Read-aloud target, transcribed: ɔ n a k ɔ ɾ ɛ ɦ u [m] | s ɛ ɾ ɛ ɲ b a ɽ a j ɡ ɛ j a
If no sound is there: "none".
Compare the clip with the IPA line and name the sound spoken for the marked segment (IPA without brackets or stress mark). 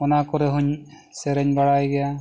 ɲ